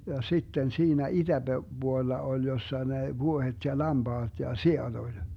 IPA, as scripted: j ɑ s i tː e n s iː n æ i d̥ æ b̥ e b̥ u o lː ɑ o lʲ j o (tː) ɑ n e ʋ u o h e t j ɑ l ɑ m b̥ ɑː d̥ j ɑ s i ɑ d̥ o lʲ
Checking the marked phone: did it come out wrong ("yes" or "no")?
yes